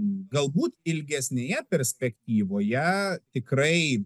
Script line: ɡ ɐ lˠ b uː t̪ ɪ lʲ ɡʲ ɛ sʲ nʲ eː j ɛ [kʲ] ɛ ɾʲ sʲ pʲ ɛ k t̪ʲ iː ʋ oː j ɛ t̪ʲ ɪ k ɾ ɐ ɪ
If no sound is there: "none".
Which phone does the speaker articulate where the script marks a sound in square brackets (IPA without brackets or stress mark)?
pʲ